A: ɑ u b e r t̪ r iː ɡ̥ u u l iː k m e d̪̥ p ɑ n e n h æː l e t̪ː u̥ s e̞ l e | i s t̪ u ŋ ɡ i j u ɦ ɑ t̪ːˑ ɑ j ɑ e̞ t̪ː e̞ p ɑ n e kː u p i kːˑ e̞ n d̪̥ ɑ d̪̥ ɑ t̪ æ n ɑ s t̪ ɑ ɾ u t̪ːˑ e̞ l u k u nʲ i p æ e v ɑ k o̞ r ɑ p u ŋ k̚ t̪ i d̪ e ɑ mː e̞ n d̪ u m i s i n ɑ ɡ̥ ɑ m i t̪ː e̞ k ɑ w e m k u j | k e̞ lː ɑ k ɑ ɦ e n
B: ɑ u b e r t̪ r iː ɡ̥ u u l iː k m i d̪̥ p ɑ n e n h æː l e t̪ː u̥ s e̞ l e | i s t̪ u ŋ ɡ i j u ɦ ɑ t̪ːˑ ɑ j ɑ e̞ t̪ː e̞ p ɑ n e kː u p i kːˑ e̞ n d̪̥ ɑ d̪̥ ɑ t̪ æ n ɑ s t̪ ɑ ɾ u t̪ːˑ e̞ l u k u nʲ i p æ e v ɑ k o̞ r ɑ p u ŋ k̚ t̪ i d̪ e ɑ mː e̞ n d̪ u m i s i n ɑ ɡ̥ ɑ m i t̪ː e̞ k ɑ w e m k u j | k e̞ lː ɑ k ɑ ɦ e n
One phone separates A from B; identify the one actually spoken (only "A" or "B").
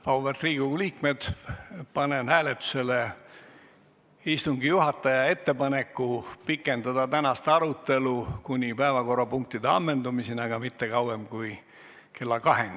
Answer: A